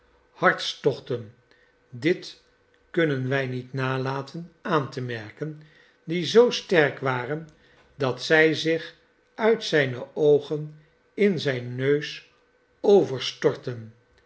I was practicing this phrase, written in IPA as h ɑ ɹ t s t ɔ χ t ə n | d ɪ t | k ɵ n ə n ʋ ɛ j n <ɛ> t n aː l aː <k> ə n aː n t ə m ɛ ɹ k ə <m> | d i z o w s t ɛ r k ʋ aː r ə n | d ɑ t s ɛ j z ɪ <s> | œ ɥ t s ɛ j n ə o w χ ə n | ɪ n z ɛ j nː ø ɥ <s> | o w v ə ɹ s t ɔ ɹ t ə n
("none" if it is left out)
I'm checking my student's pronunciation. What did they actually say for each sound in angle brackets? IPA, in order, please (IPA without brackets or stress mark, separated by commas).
i, t, n, χ, s